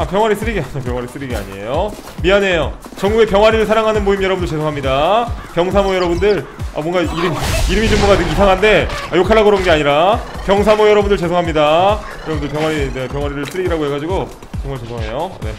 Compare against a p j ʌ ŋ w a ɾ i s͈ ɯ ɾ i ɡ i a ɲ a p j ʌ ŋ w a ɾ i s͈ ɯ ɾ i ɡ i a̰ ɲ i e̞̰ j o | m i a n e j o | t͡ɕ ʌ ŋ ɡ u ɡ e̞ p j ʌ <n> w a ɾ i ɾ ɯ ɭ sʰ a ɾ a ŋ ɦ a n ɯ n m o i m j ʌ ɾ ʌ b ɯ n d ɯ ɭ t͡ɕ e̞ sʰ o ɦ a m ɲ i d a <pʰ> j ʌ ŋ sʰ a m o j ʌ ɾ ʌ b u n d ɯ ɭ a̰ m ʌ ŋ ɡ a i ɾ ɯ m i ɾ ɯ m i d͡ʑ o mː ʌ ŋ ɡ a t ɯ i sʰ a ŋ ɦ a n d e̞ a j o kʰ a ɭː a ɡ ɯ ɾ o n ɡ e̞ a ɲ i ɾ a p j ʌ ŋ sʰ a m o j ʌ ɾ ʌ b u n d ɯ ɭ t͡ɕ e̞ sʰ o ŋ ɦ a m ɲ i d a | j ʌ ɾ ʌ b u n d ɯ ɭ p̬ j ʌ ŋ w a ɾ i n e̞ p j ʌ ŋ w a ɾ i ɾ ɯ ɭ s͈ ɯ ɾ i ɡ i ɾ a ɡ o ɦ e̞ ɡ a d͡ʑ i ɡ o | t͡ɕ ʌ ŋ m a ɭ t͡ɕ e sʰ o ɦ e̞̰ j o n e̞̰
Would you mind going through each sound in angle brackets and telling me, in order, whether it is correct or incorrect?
incorrect: ŋ, incorrect: p

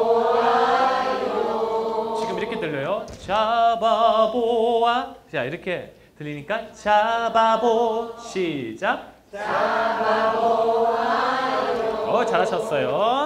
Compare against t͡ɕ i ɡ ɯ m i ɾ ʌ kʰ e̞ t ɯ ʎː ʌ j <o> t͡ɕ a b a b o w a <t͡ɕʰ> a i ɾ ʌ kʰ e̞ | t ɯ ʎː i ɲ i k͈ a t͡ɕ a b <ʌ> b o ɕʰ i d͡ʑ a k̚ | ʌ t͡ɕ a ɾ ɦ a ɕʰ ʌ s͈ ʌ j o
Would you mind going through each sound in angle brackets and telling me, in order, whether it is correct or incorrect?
correct, incorrect: t͡ɕ, incorrect: a

